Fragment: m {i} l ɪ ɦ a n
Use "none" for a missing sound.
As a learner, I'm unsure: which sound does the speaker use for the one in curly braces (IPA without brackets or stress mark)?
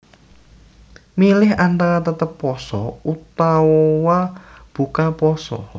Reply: i